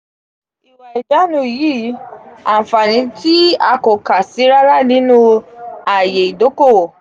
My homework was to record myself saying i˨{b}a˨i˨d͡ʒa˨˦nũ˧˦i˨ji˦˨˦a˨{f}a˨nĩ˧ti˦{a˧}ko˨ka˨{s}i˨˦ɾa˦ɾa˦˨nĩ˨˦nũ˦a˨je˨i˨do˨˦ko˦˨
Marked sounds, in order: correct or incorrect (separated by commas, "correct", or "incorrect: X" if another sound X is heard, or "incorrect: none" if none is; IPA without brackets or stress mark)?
incorrect: w, correct, correct, correct